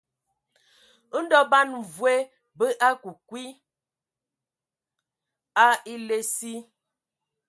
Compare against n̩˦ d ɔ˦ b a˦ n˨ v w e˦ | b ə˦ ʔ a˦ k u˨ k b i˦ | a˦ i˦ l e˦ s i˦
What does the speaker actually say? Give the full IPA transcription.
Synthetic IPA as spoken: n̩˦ d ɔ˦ b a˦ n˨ v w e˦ | b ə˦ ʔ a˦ k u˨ k w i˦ | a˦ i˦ l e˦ s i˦